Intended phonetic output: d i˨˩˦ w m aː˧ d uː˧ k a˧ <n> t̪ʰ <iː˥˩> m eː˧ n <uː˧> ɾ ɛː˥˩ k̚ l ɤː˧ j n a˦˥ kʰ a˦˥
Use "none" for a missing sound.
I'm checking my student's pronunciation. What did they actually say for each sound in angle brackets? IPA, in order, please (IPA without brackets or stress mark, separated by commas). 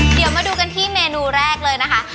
n, iː˥˩, uː˧